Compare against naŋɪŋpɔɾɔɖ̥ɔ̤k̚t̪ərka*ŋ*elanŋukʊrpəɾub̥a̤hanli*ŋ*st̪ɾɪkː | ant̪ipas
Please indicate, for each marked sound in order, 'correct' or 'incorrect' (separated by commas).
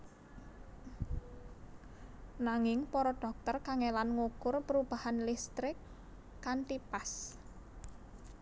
correct, incorrect